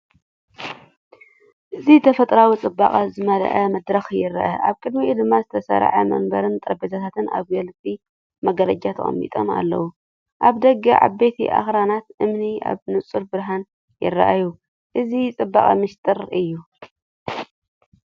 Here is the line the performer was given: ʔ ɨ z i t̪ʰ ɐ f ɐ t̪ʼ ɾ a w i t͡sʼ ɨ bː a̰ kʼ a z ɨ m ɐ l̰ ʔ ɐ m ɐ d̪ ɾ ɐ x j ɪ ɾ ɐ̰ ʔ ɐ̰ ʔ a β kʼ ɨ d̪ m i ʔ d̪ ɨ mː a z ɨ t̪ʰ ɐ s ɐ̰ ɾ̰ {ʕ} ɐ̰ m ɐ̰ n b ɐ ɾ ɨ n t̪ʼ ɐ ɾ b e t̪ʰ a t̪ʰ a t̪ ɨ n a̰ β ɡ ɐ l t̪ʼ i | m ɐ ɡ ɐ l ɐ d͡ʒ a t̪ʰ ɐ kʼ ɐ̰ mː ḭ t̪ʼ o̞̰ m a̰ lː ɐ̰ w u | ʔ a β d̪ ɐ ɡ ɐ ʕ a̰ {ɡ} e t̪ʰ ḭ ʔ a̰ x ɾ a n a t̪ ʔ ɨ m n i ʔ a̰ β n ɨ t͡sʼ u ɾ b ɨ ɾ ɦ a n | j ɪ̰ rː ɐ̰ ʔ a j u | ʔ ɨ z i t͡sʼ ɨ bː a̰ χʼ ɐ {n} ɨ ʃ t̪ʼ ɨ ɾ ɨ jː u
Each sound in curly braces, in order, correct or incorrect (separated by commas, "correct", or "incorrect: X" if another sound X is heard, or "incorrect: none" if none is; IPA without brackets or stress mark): correct, incorrect: b, incorrect: m